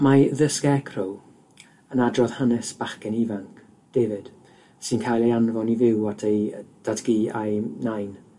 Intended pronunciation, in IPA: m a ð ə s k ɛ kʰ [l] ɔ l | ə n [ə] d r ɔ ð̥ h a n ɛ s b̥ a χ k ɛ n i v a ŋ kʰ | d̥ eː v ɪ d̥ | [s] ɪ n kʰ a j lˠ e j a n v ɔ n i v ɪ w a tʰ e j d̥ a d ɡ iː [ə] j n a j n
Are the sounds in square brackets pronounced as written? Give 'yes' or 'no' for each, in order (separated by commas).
no, no, yes, no